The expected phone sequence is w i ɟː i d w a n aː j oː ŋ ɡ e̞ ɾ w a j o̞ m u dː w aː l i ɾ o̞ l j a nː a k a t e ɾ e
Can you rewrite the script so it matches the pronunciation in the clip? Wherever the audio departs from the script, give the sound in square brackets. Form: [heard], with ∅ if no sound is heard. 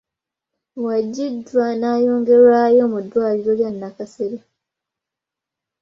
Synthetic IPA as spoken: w [a] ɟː i d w a n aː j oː ŋ ɡ e̞ ɾ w a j o̞ m u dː w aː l i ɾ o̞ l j a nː a k a [s] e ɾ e